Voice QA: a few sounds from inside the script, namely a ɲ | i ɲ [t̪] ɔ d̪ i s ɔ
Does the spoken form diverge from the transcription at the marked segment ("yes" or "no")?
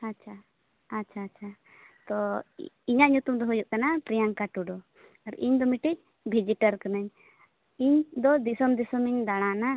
yes